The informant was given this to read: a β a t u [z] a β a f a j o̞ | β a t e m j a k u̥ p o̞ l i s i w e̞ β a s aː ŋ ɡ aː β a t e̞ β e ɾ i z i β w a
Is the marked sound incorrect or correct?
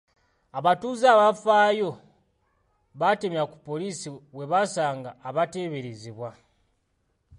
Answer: correct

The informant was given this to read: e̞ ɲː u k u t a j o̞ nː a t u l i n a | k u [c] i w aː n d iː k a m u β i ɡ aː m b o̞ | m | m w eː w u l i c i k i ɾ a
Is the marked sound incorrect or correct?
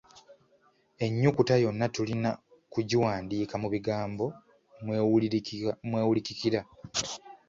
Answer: incorrect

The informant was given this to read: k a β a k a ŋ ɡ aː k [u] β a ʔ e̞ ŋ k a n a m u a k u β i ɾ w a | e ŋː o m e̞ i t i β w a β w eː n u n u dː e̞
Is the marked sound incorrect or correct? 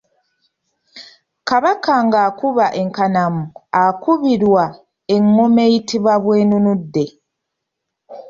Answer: correct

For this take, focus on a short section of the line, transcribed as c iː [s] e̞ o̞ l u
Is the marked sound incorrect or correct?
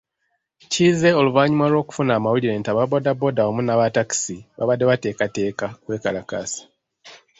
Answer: incorrect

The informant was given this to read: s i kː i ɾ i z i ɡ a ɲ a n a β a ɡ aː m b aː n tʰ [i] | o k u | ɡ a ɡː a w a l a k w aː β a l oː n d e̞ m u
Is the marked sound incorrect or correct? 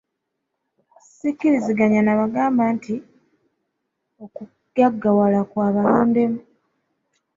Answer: correct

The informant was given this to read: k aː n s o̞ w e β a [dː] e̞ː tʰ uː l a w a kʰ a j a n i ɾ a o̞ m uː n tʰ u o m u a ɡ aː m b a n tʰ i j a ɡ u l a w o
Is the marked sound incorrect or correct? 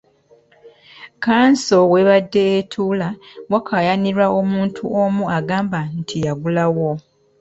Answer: correct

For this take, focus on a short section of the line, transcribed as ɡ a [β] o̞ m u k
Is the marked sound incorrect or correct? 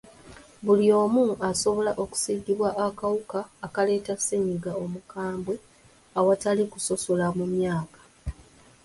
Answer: incorrect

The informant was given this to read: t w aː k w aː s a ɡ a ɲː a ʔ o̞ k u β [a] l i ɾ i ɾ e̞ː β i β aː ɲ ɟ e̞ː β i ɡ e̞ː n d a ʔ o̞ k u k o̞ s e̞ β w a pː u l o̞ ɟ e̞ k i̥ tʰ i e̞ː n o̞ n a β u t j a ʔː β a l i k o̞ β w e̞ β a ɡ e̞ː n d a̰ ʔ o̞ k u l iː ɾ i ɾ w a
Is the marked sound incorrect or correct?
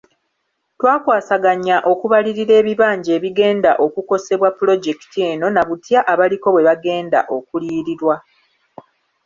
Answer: correct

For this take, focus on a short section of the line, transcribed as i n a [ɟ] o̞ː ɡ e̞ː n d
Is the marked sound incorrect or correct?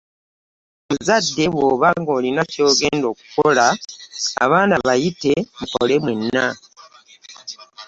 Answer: incorrect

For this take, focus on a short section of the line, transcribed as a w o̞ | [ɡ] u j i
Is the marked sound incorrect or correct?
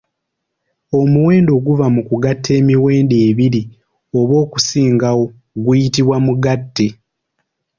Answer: correct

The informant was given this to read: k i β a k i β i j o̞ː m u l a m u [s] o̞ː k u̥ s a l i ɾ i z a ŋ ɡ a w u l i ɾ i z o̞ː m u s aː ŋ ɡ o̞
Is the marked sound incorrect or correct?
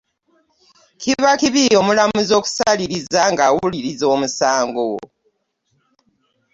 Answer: incorrect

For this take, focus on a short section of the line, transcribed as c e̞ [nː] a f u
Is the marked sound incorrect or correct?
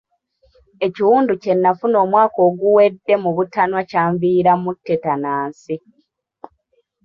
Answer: correct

